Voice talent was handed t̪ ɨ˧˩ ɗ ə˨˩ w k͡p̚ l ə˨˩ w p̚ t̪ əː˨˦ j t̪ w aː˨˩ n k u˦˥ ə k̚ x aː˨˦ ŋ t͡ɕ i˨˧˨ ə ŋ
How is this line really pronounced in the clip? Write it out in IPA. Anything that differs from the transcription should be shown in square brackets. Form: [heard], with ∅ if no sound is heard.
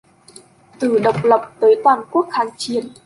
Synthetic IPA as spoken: t̪ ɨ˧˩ ɗ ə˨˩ w k͡p̚ l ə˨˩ w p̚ t̪ əː˨˦ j t̪ w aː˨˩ n k u˦˥ ə k̚ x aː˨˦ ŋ t͡ɕ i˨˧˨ ə [n]